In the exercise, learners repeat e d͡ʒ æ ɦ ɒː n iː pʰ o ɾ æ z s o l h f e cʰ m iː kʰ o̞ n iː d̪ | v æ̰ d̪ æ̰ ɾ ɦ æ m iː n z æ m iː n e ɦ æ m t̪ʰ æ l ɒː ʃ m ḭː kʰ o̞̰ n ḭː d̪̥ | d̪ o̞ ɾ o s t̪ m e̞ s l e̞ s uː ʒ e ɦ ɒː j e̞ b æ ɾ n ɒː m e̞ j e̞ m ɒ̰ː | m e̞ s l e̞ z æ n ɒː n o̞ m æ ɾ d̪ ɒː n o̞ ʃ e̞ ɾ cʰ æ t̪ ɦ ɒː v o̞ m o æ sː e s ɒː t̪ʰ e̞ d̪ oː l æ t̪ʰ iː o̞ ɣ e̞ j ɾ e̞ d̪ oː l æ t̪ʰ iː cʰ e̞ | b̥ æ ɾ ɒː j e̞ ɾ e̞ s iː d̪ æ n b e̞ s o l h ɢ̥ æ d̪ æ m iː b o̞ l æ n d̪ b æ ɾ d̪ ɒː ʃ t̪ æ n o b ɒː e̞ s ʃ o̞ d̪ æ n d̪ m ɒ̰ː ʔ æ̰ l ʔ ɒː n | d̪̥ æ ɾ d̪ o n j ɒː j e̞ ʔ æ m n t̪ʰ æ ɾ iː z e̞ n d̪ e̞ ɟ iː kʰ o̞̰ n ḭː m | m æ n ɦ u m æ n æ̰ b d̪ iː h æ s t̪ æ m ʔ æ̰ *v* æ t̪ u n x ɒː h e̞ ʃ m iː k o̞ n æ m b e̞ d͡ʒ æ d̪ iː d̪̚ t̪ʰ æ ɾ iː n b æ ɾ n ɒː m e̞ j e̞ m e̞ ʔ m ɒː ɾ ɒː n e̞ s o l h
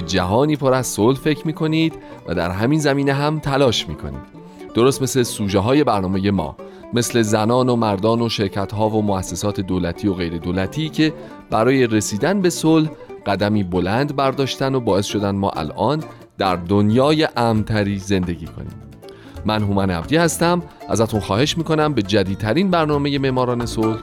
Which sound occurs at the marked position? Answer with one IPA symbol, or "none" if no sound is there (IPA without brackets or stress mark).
z